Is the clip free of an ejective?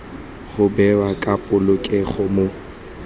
no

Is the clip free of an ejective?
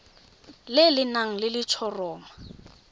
yes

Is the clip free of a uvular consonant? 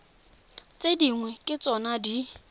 yes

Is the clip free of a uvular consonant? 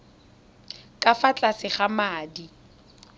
no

